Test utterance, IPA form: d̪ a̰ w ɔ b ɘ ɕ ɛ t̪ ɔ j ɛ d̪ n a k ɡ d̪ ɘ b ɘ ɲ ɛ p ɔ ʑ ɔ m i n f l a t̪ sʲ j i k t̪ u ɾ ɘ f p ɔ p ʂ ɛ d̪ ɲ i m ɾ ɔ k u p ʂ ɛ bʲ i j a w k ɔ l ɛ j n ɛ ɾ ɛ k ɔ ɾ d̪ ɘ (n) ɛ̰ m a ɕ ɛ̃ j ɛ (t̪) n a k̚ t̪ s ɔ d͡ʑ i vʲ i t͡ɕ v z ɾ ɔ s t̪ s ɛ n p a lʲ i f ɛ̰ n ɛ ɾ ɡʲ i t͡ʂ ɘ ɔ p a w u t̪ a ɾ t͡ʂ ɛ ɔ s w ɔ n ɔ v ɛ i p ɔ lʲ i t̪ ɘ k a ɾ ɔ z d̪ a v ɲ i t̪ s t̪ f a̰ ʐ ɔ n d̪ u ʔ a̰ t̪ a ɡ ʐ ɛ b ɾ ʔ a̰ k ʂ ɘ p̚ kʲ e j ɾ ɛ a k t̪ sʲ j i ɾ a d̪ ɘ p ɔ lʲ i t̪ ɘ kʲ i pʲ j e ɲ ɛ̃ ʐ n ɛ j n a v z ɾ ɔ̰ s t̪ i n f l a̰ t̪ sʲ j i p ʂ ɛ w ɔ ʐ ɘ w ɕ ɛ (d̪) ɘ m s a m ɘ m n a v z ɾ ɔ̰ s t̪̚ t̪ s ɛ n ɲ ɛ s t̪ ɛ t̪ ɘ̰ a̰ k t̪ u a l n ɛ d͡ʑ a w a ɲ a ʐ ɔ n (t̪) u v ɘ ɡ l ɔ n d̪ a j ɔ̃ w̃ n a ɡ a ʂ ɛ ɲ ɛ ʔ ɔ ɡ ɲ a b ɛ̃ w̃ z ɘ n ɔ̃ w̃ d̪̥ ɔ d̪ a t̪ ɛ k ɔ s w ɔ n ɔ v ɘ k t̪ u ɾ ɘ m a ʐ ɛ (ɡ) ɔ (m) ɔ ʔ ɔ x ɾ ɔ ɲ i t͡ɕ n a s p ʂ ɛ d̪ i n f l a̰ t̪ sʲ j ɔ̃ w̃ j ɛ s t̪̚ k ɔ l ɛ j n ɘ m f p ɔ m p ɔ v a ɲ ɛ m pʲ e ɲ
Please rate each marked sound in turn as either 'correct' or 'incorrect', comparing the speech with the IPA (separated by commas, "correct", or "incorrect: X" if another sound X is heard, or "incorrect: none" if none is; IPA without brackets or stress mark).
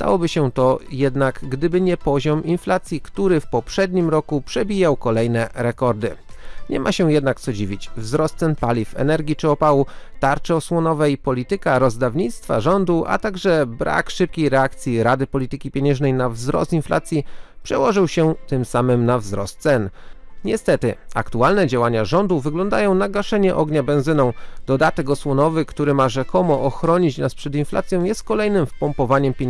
incorrect: ɲ, incorrect: d̪, incorrect: t̪, incorrect: d̪, incorrect: k, correct